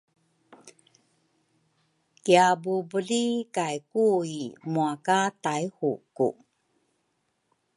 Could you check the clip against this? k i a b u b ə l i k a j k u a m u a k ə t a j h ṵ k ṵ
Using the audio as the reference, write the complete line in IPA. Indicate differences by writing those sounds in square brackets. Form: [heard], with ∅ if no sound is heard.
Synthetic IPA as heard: k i a b u b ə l i k a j k u [i] m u a k [a] t a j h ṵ k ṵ